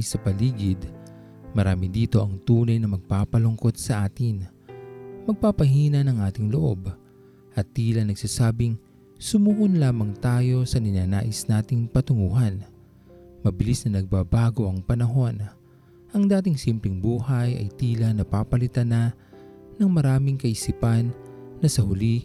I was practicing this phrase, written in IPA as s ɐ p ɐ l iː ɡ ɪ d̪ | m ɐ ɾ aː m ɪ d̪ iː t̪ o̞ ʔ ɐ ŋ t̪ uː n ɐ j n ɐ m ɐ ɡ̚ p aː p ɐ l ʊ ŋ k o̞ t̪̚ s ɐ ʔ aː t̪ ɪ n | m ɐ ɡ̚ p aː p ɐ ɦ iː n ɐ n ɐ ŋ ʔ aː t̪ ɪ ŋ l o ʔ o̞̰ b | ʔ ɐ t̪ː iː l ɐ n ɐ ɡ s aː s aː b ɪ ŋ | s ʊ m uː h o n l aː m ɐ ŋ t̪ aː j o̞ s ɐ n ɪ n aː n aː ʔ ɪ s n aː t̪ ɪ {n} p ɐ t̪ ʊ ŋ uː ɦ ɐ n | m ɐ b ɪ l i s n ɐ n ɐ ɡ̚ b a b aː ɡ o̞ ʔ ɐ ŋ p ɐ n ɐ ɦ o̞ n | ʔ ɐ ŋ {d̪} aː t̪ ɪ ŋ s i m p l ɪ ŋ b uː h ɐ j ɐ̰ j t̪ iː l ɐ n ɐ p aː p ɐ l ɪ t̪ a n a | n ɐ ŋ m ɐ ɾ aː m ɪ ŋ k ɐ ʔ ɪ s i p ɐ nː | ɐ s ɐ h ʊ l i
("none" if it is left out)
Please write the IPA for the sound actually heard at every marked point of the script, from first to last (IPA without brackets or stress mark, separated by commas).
ŋ, d̪